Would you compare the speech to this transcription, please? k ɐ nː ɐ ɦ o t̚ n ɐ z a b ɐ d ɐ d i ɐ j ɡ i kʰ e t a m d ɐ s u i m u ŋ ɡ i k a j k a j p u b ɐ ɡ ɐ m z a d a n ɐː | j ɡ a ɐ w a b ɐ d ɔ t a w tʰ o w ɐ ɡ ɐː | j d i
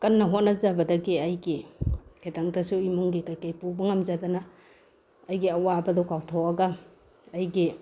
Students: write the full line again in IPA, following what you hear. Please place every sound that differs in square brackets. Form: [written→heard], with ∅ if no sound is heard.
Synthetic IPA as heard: k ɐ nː ɐ ɦ o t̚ n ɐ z a b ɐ d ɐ [d→ɡ] i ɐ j ɡ i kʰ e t a [m→ŋ] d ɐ s u i m u ŋ ɡ i k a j k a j p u b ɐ [ɡ→ŋ] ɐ m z a d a n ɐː | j ɡ [a→i] ɐ w a b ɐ d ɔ [t→k] a w tʰ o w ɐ ɡ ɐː | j [d→ɡ] i